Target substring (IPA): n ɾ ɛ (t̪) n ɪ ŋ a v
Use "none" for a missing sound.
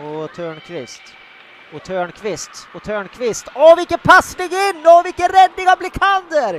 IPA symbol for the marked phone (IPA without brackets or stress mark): d̪